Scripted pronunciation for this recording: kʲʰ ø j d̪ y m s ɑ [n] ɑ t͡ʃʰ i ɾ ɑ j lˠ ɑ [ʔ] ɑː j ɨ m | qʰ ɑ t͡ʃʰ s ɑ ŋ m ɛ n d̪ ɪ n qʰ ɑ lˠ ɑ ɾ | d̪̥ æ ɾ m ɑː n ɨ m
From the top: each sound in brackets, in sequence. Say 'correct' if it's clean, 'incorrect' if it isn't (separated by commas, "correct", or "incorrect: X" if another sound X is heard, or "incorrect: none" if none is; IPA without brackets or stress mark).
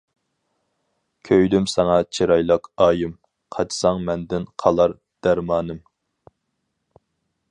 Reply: incorrect: ŋ, incorrect: q